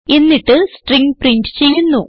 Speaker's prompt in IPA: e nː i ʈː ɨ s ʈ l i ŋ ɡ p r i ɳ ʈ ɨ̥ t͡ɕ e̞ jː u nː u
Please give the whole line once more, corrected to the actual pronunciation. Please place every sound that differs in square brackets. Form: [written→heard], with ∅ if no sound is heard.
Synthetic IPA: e nː i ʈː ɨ s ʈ [l→r] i ŋ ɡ p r i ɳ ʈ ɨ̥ t͡ɕ e̞ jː u nː u

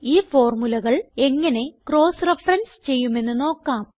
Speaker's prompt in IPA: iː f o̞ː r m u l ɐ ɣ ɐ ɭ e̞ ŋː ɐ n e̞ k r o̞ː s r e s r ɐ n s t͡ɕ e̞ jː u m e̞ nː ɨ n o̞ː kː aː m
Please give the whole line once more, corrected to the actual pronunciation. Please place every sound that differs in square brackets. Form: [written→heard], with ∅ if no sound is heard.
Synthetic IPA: iː f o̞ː r m u l ɐ ɣ ɐ ɭ e̞ ŋː ɐ n e̞ k r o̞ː s r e [s→f] r ɐ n s t͡ɕ e̞ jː u m e̞ nː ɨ n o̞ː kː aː m

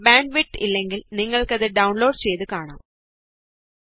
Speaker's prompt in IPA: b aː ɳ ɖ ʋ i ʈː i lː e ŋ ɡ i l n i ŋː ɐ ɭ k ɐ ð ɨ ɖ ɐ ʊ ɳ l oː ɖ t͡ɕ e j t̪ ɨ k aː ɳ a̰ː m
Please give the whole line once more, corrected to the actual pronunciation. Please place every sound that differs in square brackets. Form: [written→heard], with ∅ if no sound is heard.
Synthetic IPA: b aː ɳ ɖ ʋ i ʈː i lː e ŋ ɡ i l n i ŋː ɐ ɭ k ɐ ð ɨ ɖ ɐ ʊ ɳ l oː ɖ t͡ɕ e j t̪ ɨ k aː ɳ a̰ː m

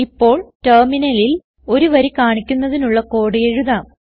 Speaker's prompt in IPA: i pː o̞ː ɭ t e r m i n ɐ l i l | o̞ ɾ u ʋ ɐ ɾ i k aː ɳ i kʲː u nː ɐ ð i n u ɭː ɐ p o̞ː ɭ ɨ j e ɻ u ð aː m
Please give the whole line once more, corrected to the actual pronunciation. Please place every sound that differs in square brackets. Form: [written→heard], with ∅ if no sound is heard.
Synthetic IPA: i pː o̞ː ɭ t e r m i n ɐ l i l | o̞ ɾ u ʋ ɐ ɾ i k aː ɳ i kʲː u nː ɐ ð i n u ɭː ɐ [p→k] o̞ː [ɭ→ɽ] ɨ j e ɻ u ð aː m

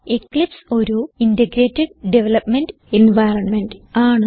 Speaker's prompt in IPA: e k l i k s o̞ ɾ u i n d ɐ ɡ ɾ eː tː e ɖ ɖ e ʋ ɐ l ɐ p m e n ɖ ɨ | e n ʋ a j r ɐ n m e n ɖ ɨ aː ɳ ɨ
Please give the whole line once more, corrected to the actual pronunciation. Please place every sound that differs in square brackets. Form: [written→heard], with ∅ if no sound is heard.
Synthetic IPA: e k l i [k→p] s o̞ ɾ u i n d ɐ ɡ ɾ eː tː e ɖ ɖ e ʋ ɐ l ɐ p m e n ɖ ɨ | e n ʋ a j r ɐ n m e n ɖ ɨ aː ɳ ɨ

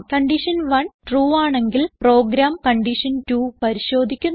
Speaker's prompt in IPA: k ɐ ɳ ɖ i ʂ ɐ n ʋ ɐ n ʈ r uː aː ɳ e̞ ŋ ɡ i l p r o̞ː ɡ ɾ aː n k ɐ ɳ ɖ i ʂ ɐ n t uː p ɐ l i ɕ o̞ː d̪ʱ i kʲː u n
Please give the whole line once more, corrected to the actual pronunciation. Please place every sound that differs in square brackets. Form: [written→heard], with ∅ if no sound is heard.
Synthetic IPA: k ɐ ɳ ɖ i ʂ ɐ n ʋ ɐ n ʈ r uː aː ɳ e̞ ŋ ɡ i l p r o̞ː ɡ ɾ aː [n→m] k ɐ ɳ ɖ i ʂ ɐ n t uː p ɐ [l→ɾ] i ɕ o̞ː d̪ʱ i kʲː u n

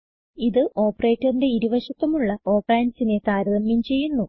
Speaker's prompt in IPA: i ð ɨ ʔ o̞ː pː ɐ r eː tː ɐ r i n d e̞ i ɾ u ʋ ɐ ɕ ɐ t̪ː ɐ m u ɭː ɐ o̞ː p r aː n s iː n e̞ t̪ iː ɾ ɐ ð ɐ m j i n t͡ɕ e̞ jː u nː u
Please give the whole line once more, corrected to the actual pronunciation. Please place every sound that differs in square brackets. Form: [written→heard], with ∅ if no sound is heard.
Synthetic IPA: i ð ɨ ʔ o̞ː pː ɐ r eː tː ɐ r i n d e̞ i ɾ u ʋ ɐ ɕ ɐ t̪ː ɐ m u ɭː ɐ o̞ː p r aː n s [iː→i] n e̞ t̪ [iː→aː] ɾ ɐ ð ɐ m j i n t͡ɕ e̞ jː u nː u

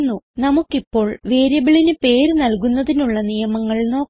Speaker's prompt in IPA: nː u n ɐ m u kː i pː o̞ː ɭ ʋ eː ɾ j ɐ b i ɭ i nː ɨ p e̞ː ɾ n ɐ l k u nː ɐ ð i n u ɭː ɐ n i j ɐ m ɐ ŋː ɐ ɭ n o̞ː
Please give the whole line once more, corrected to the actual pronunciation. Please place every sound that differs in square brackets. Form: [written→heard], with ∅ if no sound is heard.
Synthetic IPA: nː u n ɐ m u kː i pː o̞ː ɭ ʋ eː ɾ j ɐ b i ɭ i [nː→n] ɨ p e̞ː ɾ n ɐ l k u nː ɐ ð i n u ɭː ɐ n i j ɐ m ɐ ŋː ɐ ɭ n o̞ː

